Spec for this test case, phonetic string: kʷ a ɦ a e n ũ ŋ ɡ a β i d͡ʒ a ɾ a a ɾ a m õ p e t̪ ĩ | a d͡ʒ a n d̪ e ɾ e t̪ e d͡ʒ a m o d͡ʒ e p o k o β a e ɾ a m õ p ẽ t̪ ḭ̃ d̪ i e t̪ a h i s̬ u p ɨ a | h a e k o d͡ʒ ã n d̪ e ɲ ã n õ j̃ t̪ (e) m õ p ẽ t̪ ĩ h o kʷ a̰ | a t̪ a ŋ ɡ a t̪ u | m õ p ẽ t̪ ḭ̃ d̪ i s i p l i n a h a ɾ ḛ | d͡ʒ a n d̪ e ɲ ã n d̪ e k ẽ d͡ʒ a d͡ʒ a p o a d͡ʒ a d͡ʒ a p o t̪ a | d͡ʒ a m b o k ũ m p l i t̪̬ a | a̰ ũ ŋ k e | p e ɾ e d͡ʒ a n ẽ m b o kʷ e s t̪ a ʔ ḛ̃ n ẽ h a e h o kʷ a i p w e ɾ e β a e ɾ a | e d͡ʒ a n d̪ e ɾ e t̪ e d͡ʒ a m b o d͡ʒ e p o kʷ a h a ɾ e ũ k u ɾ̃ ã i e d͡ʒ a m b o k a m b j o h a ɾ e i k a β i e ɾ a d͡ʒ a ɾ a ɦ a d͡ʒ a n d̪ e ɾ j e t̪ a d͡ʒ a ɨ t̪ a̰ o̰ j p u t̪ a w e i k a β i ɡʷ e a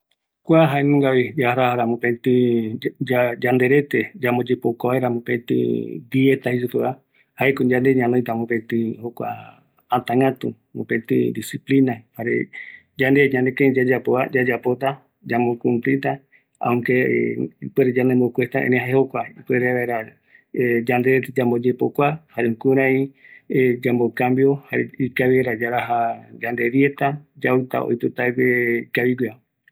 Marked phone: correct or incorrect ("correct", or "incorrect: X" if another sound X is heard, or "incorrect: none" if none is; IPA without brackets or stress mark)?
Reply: incorrect: a